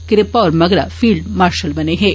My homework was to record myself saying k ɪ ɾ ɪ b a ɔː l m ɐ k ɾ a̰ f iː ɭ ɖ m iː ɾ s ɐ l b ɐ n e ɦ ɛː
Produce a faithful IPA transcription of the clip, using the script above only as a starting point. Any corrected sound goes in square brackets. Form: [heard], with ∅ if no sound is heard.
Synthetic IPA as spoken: k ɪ ɾ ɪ [p] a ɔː [ɾ] m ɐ [ɡ] ɾ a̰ f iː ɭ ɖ m [aː] ɾ [ʃ] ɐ l b ɐ n e ɦ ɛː

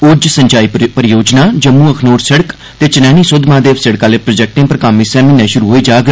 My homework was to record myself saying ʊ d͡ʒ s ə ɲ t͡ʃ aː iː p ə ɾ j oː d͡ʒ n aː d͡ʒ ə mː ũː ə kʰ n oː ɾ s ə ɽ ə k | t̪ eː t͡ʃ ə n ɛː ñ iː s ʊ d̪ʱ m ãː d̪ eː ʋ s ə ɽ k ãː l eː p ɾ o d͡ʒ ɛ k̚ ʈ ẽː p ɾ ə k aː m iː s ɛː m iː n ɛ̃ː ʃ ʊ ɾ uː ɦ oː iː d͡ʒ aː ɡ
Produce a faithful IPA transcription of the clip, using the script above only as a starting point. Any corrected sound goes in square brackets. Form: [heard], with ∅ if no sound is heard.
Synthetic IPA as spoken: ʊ d͡ʒ s ə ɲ t͡ʃ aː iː p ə ɾ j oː d͡ʒ n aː d͡ʒ ə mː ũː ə kʰ n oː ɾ s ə ɽ ə k | t̪ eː t͡ʃ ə n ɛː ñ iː s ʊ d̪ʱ m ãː d̪ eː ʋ s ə ɽ k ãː l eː p ɾ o d͡ʒ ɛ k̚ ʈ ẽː p ɾ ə k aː m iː s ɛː m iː n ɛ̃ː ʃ ʊ ɾ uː ɦ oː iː d͡ʒ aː ɡ

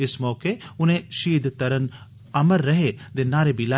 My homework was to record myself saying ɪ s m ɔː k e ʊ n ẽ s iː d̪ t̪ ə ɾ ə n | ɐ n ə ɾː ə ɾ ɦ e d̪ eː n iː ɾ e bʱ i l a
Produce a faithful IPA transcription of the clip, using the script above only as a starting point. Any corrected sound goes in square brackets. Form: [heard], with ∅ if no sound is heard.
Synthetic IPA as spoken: ɪ s m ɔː k e ʊ n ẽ [ʃ] iː d̪ t̪ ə ɾ ə n | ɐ [m] ə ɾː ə [∅] ɦ e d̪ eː n [aː] ɾ e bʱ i l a

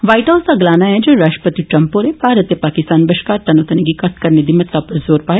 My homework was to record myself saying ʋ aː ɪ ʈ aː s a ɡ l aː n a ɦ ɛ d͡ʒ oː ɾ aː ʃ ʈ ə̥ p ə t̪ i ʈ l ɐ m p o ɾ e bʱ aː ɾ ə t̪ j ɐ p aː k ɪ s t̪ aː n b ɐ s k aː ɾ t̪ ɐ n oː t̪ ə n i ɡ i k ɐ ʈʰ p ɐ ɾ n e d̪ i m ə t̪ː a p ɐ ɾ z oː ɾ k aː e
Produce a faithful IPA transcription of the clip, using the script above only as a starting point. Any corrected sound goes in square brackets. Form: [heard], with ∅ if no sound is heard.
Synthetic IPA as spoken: ʋ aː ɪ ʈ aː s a ɡ l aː n a ɦ ɛ d͡ʒ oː ɾ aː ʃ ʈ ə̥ p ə t̪ i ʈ [ɾ] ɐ m p o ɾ e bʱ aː ɾ ə t̪ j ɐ p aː k ɪ s t̪ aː n b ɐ [ʃ] k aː ɾ t̪ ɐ n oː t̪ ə n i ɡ i k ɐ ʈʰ [k] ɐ ɾ n e d̪ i m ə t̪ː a p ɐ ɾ z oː ɾ [p] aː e

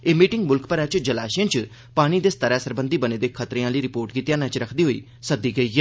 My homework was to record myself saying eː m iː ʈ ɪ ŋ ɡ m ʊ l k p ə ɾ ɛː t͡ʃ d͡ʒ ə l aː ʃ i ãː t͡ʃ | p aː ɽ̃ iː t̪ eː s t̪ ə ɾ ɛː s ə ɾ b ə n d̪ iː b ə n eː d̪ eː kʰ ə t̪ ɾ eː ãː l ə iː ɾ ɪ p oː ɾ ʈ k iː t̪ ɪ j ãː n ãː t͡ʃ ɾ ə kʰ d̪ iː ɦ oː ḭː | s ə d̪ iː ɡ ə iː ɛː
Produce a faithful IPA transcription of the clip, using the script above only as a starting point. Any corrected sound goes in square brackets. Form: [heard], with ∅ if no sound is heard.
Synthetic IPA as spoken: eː m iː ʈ ɪ ŋ ɡ m ʊ l k p ə ɾ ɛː t͡ʃ d͡ʒ ə l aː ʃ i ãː t͡ʃ | p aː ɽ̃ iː [d̪] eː s t̪ ə ɾ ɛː s ə ɾ b ə n d̪ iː b ə n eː d̪ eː kʰ ə t̪ ɾ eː ãː l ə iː ɾ ɪ p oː ɾ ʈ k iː t̪ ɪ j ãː n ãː t͡ʃ ɾ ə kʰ d̪ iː ɦ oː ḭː | s ə d̪ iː ɡ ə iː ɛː

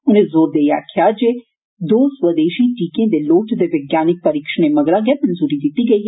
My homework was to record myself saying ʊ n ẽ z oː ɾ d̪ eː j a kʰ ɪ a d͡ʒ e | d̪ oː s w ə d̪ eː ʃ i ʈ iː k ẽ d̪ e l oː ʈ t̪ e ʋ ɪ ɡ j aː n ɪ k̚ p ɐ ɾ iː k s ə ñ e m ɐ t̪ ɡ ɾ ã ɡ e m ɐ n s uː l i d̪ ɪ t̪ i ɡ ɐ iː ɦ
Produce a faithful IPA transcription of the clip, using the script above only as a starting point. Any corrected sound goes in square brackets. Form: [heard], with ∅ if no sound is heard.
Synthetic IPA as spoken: ʊ n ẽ z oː ɾ d̪ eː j a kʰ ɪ a d͡ʒ e | d̪ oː s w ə d̪ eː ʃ i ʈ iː k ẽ d̪ e l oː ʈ [d̪] e ʋ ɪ ɡ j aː n ɪ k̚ p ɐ ɾ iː k [ʃ] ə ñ e m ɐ [∅] ɡ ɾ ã ɡ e m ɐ n [z] uː [ɾ] i d̪ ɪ t̪ i ɡ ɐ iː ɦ

